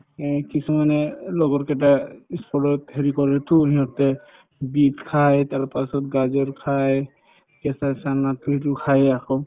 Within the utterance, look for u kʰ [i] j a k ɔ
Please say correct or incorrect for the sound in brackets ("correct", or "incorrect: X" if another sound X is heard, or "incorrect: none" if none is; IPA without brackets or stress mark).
incorrect: a